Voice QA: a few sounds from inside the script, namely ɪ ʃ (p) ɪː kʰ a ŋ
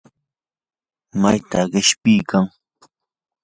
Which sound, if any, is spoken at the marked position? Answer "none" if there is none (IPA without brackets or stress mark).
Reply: p